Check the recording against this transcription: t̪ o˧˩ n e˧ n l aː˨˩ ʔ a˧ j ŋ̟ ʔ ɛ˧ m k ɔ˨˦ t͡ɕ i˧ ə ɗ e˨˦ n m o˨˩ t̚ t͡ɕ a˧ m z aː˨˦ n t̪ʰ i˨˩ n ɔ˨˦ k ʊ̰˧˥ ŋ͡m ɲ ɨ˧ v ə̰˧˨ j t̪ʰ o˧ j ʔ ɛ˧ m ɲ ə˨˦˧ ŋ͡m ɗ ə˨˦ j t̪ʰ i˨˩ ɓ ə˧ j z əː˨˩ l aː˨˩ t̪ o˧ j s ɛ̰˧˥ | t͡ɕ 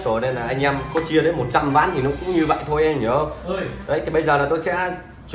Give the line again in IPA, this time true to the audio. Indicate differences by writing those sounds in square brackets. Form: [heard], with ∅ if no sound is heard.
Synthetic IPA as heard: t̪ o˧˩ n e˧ n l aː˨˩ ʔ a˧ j ŋ̟ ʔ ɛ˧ m k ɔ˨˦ t͡ɕ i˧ ə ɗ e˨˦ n m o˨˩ t̚ t͡ɕ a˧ m [v] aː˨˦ n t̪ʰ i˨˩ n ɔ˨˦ k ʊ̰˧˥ ŋ͡m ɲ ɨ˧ v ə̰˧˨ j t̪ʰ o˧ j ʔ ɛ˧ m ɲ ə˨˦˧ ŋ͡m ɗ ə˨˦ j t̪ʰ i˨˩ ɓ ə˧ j z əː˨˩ l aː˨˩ t̪ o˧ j s ɛ̰˧˥ | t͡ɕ